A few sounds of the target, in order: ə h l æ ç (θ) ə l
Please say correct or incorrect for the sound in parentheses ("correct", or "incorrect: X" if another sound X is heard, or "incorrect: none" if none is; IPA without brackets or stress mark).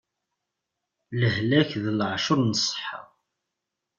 incorrect: ð